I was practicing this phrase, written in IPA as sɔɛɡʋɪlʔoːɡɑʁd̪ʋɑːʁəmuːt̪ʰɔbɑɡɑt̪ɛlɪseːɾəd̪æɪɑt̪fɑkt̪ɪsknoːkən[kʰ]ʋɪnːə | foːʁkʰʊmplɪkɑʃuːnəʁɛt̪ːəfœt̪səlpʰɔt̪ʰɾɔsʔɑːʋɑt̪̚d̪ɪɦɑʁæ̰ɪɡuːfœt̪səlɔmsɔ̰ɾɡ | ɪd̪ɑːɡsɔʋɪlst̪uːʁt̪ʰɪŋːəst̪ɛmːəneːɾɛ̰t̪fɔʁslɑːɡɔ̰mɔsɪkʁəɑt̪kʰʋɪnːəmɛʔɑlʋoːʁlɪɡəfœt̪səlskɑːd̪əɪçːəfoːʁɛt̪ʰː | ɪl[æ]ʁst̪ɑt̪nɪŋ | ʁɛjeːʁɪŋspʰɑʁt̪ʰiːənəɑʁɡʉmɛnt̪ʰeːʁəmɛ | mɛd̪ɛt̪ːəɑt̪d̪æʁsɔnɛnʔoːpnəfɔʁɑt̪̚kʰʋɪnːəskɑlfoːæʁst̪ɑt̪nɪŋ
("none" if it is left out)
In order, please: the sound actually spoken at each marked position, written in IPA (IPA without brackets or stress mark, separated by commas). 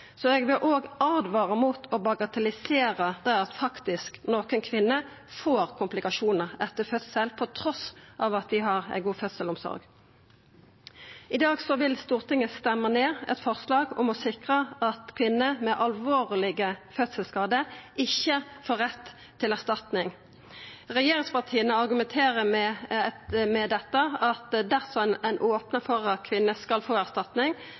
kʰ, æ